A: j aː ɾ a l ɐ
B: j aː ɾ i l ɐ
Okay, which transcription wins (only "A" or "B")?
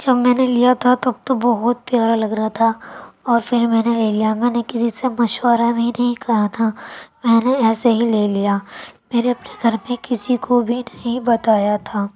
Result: A